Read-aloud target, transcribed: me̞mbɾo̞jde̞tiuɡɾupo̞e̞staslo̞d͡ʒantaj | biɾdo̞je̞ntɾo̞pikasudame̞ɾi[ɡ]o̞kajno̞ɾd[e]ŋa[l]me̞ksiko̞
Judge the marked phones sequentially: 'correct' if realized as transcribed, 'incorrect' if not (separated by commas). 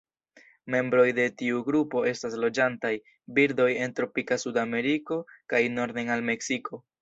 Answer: incorrect, correct, correct